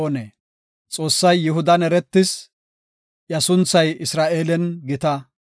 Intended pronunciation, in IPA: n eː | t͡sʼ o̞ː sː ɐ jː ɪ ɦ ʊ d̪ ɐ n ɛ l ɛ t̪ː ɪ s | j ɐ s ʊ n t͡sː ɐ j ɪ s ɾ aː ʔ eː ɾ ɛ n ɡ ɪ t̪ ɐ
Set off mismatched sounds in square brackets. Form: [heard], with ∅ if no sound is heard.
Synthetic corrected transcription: n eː | t͡sʼ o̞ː sː ɐ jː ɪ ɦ ʊ d̪ ɐ n ɛ [ɾ] ɛ t̪ː ɪ s | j ɐ s ʊ n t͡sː ɐ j ɪ s ɾ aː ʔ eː [l] ɛ n ɡ ɪ t̪ ɐ